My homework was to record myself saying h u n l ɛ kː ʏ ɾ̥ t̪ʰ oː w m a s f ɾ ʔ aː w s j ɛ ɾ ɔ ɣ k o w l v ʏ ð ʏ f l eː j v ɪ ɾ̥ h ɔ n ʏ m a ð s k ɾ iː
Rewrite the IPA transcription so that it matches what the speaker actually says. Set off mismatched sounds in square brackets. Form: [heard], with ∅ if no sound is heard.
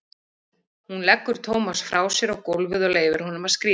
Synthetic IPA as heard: h u n l ɛ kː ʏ ɾ̥ t̪ʰ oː w m a s f ɾ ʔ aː w s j ɛ ɾ ɔ ɣ k o w l v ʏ ð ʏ [∅] l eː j v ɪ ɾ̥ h ɔ n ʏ m a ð s k ɾ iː